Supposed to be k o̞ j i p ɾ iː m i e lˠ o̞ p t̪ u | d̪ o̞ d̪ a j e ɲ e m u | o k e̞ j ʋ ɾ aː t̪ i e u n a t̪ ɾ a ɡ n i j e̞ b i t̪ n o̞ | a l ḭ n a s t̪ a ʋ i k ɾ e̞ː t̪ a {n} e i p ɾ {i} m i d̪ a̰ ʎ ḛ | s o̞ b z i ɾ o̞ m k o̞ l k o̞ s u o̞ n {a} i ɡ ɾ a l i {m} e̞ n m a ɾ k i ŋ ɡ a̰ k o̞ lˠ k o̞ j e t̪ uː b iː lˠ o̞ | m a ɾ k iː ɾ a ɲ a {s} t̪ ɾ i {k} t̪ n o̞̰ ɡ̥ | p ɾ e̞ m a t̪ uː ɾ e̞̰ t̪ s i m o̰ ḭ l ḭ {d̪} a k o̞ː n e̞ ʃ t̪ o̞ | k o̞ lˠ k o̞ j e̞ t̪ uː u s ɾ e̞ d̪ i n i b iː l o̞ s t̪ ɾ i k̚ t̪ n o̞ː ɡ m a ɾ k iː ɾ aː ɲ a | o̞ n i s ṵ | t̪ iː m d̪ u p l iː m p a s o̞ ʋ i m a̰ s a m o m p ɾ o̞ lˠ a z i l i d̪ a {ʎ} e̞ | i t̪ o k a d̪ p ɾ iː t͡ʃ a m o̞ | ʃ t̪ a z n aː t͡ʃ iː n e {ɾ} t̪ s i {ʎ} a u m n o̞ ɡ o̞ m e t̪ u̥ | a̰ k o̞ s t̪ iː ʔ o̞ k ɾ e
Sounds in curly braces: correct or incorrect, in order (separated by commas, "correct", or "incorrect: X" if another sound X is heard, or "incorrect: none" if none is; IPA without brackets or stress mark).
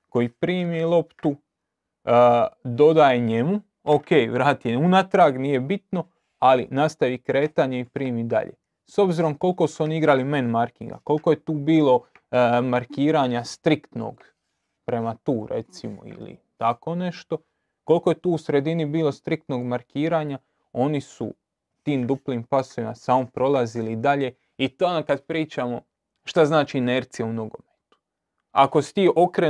incorrect: ɲ, incorrect: iː, incorrect: i, correct, correct, correct, incorrect: t̪, correct, correct, incorrect: j